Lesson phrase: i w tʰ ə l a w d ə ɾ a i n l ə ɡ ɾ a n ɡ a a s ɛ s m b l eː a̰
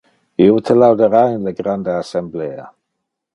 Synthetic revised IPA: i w tʰ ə l a w d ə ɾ a j n l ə ɡ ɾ a n d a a s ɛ m b l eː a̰